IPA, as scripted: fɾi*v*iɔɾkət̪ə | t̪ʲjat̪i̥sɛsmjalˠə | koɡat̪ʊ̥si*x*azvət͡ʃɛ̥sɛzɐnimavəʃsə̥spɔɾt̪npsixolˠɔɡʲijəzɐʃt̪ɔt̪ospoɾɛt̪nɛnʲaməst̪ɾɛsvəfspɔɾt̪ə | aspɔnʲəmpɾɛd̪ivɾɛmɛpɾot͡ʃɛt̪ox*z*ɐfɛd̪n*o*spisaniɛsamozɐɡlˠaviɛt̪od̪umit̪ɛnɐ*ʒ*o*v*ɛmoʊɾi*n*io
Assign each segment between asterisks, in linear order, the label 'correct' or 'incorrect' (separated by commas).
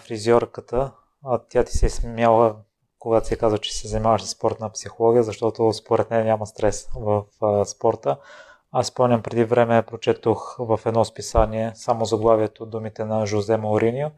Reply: incorrect, incorrect, incorrect, incorrect, correct, incorrect, correct